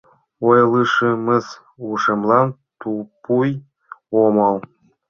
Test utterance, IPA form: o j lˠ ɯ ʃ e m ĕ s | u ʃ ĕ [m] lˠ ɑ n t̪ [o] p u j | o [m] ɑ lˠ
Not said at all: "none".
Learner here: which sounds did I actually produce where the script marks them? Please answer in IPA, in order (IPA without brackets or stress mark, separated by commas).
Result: m, u, m